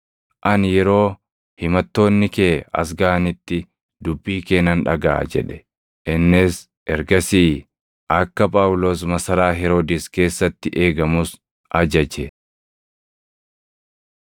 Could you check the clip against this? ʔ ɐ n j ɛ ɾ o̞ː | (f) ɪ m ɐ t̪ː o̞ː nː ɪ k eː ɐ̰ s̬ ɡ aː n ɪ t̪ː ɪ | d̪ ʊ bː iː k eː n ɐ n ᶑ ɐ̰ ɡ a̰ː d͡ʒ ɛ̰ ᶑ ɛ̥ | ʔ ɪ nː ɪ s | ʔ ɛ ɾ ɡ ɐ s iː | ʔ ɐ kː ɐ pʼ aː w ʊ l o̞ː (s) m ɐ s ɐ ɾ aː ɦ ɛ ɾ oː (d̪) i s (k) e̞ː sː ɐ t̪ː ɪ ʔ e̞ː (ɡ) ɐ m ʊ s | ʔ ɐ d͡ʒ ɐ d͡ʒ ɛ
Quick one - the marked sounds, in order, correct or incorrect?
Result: incorrect, correct, correct, correct, correct

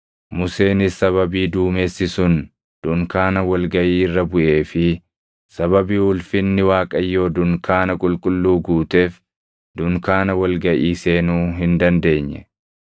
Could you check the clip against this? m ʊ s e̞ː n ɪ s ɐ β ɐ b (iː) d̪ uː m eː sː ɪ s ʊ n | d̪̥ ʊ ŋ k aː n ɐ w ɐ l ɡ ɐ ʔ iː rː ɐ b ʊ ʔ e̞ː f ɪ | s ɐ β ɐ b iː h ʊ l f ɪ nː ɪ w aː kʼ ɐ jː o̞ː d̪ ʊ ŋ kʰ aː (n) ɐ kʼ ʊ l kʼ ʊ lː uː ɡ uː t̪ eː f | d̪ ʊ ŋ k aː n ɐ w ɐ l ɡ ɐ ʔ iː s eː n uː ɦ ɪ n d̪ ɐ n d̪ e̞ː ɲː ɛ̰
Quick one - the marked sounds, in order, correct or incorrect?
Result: correct, correct

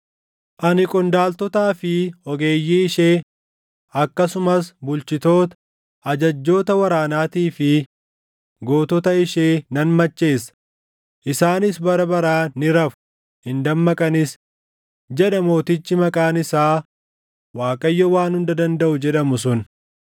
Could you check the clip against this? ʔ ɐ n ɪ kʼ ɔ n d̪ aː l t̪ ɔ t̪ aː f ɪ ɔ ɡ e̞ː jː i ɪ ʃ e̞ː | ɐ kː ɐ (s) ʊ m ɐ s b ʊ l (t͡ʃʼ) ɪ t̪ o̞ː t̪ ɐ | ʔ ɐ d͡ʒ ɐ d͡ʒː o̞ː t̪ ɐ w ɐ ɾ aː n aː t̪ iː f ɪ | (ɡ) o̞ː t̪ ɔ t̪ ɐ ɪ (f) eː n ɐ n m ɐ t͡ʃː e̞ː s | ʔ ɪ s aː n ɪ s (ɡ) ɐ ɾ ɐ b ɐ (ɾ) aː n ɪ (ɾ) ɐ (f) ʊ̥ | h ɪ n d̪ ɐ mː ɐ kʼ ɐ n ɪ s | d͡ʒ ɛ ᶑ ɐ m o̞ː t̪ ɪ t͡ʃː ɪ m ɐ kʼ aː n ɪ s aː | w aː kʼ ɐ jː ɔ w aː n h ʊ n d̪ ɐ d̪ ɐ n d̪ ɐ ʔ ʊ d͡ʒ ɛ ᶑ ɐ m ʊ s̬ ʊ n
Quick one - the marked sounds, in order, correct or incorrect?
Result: correct, incorrect, correct, incorrect, incorrect, correct, correct, correct

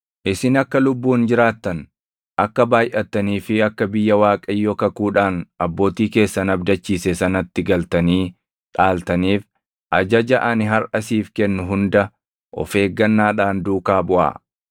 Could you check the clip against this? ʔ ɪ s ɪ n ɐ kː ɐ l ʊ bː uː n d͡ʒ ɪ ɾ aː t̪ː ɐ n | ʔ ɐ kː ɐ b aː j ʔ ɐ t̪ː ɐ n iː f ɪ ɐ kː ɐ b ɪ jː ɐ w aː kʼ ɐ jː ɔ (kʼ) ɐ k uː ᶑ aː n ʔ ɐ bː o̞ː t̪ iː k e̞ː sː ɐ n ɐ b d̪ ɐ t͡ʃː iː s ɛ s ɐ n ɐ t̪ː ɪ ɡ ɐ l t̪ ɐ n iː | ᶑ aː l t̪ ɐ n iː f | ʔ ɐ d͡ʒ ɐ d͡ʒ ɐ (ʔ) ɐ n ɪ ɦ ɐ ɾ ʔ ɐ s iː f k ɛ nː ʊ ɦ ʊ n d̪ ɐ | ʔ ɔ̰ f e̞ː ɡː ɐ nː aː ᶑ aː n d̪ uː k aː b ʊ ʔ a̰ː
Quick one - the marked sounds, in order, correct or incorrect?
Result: incorrect, correct

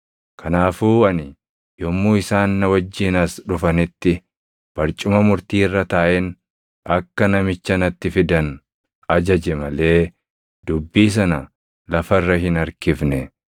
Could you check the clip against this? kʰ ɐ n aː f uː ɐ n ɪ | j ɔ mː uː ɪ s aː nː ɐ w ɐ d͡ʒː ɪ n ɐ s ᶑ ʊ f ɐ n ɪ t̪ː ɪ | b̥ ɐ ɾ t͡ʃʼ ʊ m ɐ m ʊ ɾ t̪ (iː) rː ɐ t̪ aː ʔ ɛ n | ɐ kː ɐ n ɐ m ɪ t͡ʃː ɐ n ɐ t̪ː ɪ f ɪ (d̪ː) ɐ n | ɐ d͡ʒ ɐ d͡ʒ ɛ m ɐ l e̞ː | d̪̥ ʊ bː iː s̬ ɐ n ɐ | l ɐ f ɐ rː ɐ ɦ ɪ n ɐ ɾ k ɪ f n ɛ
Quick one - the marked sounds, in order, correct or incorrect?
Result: correct, incorrect

